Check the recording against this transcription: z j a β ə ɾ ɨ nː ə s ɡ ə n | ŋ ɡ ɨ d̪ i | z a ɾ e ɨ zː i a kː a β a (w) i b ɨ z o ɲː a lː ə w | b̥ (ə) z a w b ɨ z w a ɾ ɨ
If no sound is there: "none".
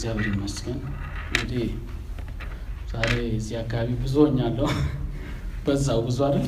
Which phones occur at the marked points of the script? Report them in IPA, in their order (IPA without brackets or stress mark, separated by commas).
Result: β, ə